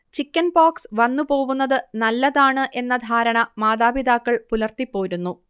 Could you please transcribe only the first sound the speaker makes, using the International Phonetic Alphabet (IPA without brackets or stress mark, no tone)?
t͡ɕ